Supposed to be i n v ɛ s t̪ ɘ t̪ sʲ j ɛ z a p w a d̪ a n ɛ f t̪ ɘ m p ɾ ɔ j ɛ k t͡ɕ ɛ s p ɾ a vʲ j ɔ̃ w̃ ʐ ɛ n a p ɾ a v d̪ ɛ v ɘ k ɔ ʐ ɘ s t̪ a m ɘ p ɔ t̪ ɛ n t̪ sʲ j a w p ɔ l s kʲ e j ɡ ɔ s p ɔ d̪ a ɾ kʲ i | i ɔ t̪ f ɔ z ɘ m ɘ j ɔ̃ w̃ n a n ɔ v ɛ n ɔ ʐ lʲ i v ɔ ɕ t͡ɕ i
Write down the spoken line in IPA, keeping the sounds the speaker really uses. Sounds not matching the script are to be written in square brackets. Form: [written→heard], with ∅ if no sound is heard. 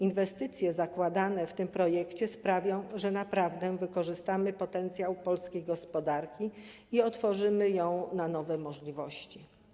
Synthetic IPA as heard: i n v ɛ s t̪ ɘ t̪ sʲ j ɛ z a [p→k] w a d̪ a n ɛ f t̪ ɘ m p ɾ ɔ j ɛ k t͡ɕ ɛ s p ɾ a vʲ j ɔ̃ w̃ ʐ ɛ n a p ɾ a v d̪ ɛ v ɘ k ɔ ʐ ɘ s t̪ a m ɘ p ɔ t̪ ɛ n t̪ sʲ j a w p ɔ l s kʲ e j ɡ ɔ s p ɔ d̪ a ɾ kʲ i | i ɔ t̪ f ɔ [z→ʐ] ɘ m ɘ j ɔ̃ w̃ n a n ɔ v ɛ [n→m] ɔ ʐ lʲ i v ɔ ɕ t͡ɕ i

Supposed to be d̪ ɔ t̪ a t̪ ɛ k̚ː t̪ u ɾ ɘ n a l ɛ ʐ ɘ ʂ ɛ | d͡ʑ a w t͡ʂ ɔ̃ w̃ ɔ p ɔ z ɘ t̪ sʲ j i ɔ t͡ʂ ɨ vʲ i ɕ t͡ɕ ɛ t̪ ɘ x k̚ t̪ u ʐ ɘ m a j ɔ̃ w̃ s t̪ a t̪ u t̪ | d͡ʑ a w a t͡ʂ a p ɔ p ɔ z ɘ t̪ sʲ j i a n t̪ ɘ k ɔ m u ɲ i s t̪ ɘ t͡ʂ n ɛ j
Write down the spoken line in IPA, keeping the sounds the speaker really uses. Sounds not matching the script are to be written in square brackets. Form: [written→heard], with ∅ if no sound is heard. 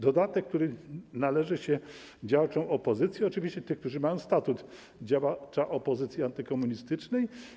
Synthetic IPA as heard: d̪ ɔ [t̪→d̪] a t̪ ɛ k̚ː t̪ u ɾ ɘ n a l ɛ ʐ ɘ [ʂ→ɕ] ɛ | d͡ʑ a w t͡ʂ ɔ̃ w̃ ɔ p ɔ z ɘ t̪ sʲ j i ɔ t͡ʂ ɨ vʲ i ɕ t͡ɕ ɛ t̪ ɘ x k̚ t̪ u ʐ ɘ m a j ɔ̃ w̃ s t̪ a t̪ u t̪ | d͡ʑ a w a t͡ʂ a [p→ʔ] ɔ p ɔ z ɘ t̪ sʲ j i a n t̪ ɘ k ɔ m u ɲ i s t̪ ɘ t͡ʂ n ɛ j

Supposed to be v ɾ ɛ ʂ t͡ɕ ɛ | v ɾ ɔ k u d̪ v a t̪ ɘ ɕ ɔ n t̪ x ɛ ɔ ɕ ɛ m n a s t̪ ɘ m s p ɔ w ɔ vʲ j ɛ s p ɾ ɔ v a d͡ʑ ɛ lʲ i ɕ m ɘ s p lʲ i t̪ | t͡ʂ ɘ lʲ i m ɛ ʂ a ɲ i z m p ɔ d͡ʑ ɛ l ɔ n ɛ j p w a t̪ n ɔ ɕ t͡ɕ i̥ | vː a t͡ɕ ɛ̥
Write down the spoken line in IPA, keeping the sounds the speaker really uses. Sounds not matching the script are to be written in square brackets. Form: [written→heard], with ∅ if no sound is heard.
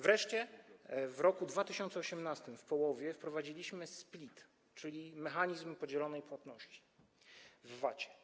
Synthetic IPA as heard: v ɾ ɛ ʂ t͡ɕ ɛ | v ɾ ɔ k u d̪ v a t̪ ɘ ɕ ɔ n t̪ [x→s] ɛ ɔ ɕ ɛ m n a s t̪ ɘ m [s→f] p ɔ w ɔ vʲ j ɛ [s→f] p ɾ ɔ v a d͡ʑ [ɛ→i] lʲ i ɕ m ɘ s p lʲ i t̪ | t͡ʂ ɘ lʲ i m ɛ [ʂ→x] a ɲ i z m p ɔ d͡ʑ ɛ l ɔ n ɛ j p w a t̪ n ɔ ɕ t͡ɕ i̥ | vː a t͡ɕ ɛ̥

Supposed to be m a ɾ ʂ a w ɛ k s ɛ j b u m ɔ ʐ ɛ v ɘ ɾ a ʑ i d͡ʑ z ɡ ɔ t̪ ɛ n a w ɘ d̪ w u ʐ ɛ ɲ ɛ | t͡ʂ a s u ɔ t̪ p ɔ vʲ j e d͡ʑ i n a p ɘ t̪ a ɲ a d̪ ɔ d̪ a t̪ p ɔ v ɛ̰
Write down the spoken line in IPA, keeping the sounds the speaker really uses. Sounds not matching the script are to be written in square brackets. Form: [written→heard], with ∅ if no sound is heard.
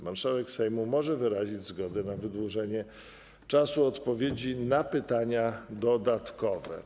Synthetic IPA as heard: m a ɾ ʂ a w ɛ k s ɛ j [b→m] u m ɔ ʐ ɛ v ɘ ɾ a ʑ i d͡ʑ z ɡ ɔ [t̪→d̪] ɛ n a [w→v] ɘ d̪ w u ʐ ɛ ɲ ɛ | t͡ʂ a s u ɔ t̪ p ɔ vʲ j e d͡ʑ i n a p ɘ t̪ a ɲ a d̪ ɔ d̪ a t̪ [p→k] ɔ v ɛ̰

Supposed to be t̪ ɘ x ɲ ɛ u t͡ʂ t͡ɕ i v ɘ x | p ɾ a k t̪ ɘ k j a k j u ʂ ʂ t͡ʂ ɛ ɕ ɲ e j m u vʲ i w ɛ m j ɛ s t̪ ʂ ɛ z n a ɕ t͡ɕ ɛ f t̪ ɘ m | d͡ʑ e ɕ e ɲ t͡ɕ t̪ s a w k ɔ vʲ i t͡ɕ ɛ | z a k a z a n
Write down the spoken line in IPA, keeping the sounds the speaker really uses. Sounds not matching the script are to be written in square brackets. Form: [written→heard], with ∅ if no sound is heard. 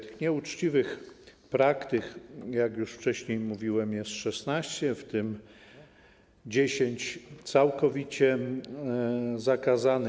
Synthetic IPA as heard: t̪ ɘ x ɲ ɛ u t͡ʂ t͡ɕ i v ɘ x | p ɾ a k t̪ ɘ k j a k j u ʂ [ʂ→f] t͡ʂ ɛ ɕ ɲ e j m u vʲ i w ɛ m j ɛ s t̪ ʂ ɛ [z→s] n a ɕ t͡ɕ ɛ f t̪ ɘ m | d͡ʑ e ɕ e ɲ t͡ɕ t̪ s a w k ɔ vʲ i t͡ɕ ɛ | z a k a z a n

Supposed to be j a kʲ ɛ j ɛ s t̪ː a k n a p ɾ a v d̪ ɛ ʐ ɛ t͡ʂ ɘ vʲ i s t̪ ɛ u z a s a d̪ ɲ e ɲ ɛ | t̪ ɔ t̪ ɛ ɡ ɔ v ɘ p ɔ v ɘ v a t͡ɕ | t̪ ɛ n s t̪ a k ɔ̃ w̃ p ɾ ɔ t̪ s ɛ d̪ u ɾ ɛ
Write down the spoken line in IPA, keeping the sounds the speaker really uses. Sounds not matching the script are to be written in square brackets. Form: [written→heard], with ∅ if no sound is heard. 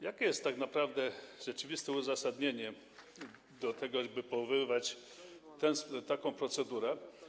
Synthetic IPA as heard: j a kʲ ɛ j ɛ s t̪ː a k n a p ɾ a v d̪ ɛ ʐ ɛ t͡ʂ ɘ vʲ i s t̪ ɛ u z a s a d̪ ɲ e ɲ ɛ | [t̪→d̪] ɔ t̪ ɛ ɡ ɔ [v→b] ɘ p ɔ v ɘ v a t͡ɕ | t̪ ɛ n s t̪ a k ɔ̃ w̃ p ɾ ɔ t̪ s ɛ d̪ u ɾ ɛ

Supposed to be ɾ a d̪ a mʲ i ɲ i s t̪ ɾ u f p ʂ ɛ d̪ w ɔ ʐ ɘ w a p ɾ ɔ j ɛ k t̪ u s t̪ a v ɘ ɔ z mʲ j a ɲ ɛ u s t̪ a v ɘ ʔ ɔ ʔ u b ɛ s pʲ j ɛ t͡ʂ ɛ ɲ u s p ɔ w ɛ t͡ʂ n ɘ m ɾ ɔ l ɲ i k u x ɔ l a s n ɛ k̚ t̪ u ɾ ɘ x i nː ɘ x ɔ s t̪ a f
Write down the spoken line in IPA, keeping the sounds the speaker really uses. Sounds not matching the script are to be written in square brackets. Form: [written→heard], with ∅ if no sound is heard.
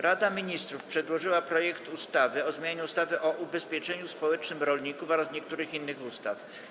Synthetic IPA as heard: ɾ a d̪ a mʲ i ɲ i s t̪ ɾ u f p ʂ ɛ d̪ w ɔ ʐ ɘ w a p ɾ ɔ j ɛ k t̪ u s t̪ a v ɘ ɔ z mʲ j a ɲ ɛ u s t̪ a v ɘ ʔ ɔ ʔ u b ɛ s pʲ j ɛ t͡ʂ ɛ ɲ u s p ɔ w ɛ t͡ʂ n ɘ m ɾ ɔ l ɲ i k u [x→f] ɔ [l→ɾ] a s [n→ɲ] ɛ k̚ t̪ u ɾ ɘ x i nː ɘ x [ɔ→u] s t̪ a f

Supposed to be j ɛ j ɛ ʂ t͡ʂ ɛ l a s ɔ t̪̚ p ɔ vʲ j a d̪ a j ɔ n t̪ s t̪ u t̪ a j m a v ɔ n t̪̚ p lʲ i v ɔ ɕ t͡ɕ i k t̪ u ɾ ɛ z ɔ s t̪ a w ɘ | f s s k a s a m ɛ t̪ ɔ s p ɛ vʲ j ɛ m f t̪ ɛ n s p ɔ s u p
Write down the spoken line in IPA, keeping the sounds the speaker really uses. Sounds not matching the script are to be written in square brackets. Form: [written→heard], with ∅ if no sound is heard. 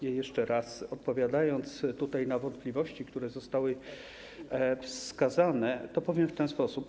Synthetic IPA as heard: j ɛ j ɛ ʂ t͡ʂ ɛ [l→ɾ] a s ɔ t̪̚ p ɔ vʲ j a d̪ a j ɔ n t̪ s t̪ u t̪ a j [m→n] a v ɔ n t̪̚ p lʲ i v ɔ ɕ t͡ɕ i k t̪ u ɾ ɛ z ɔ s t̪ a w ɘ | f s s k a [s→z] a [m→n] ɛ t̪ ɔ [s→∅] p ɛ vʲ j ɛ m f t̪ ɛ n s p ɔ s u p

